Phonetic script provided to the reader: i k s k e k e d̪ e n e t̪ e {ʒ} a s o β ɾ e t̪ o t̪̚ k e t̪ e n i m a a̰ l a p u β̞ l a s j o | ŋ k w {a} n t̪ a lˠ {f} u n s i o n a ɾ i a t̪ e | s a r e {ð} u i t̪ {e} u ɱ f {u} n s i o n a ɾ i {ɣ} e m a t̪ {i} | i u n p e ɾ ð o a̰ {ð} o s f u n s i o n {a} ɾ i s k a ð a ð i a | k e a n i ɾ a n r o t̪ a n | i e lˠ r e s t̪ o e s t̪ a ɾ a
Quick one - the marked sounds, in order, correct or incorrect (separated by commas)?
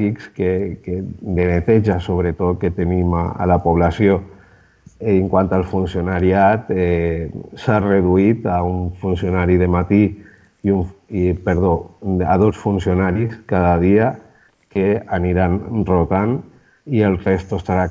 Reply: correct, correct, correct, correct, incorrect, correct, incorrect, correct, correct, correct